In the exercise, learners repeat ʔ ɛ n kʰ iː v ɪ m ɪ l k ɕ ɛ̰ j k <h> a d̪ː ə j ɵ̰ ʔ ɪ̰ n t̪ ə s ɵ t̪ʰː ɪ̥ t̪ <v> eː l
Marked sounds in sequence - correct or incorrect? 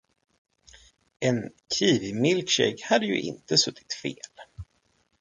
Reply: correct, incorrect

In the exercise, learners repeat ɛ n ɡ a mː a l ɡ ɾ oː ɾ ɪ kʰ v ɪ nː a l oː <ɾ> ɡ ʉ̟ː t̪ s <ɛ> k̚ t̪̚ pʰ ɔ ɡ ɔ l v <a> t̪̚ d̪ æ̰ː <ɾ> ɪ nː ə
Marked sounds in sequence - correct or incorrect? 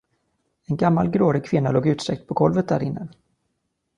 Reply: incorrect, correct, incorrect, correct

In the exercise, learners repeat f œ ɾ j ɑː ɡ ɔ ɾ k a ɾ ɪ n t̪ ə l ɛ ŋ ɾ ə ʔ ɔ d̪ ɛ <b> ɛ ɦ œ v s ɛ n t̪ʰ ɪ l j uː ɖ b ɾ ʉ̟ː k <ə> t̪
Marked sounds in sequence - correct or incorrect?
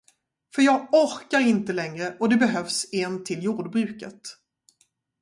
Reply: correct, correct

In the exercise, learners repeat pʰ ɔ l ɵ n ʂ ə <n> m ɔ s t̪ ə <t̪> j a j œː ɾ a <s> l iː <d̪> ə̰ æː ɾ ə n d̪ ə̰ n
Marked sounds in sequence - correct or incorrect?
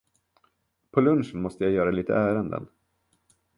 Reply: correct, incorrect, incorrect, incorrect

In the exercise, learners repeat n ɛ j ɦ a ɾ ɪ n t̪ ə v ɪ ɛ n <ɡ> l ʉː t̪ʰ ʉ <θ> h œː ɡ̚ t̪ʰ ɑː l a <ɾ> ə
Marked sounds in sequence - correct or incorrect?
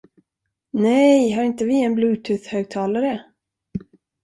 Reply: incorrect, correct, correct

